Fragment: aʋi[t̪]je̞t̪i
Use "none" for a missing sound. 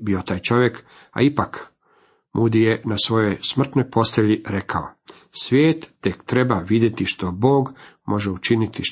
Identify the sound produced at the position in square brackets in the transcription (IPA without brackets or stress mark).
d̪